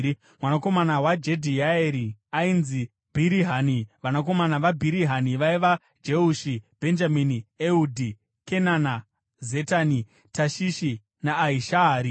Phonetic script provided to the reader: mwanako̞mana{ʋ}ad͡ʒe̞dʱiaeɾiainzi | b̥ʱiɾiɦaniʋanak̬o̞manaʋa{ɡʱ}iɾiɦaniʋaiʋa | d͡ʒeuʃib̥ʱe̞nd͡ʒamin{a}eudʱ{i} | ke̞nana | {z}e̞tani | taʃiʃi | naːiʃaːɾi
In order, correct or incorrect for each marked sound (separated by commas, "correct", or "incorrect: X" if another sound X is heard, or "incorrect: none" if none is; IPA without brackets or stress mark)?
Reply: incorrect: w, incorrect: bʱ, incorrect: i, correct, correct